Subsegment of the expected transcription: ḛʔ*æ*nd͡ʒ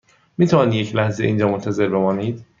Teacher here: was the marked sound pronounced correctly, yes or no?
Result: no